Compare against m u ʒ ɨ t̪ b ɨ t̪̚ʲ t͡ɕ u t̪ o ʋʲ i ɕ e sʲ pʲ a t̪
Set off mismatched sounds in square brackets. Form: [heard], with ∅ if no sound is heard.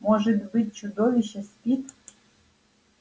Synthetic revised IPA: m [o] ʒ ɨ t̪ b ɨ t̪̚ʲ t͡ɕ u [d̪] o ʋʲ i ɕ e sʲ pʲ [i] t̪